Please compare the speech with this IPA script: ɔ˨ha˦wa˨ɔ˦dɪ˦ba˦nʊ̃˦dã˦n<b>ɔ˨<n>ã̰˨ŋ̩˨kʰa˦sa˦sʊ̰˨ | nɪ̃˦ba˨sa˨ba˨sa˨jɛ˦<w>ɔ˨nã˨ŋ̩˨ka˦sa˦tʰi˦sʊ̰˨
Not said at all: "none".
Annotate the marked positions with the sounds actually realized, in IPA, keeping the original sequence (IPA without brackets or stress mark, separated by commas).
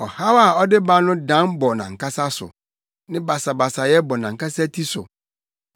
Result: b, n, b